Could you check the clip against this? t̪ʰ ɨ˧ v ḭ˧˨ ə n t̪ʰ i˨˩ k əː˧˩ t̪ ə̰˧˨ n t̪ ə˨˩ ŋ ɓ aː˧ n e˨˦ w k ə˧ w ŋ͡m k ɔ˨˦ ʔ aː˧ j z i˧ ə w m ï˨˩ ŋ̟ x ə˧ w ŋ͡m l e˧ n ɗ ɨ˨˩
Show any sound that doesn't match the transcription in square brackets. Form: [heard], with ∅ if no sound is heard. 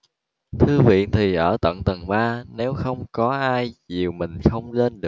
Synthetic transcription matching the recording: t̪ʰ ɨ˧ v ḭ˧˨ ə n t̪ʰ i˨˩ [ʔ] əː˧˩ t̪ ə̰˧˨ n t̪ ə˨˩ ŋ ɓ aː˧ n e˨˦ w [x] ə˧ w ŋ͡m k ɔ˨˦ ʔ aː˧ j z [i˨˩] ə w m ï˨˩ ŋ̟ x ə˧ w ŋ͡m l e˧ n ɗ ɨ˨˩